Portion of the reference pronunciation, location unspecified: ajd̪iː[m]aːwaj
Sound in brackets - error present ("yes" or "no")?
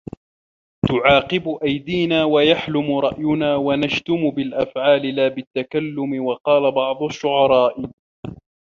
yes